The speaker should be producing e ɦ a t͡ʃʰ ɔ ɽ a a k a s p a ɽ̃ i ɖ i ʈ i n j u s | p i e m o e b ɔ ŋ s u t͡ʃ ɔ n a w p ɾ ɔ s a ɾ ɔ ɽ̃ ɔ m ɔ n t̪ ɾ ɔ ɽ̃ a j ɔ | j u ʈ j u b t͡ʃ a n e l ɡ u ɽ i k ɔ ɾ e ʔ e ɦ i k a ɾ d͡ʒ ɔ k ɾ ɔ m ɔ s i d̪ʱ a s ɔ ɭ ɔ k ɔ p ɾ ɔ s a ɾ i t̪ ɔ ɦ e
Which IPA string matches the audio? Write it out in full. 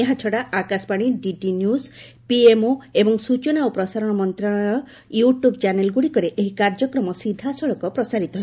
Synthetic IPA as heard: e ɦ a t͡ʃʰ ɔ ɽ a a k a s p a ɽ̃ i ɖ i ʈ i n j u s | p i e m o e b ɔ ŋ s u t͡ʃ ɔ n a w p ɾ ɔ s a ɾ ɔ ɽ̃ ɔ m ɔ n t̪ ɾ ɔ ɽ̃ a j ɔ | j u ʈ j u b t͡ʃ a n e l ɡ u ɽ i k ɔ ɾ e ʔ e ɦ i k a ɾ d͡ʒ ɔ k ɾ ɔ m ɔ s i d̪ʱ a s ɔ ɭ ɔ k ɔ p ɾ ɔ s a ɾ i t̪ ɔ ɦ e